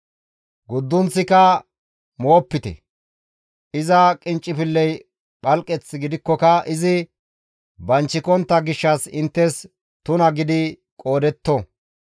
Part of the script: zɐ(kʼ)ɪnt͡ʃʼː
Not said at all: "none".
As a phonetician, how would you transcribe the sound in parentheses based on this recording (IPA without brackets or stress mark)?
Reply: kʼ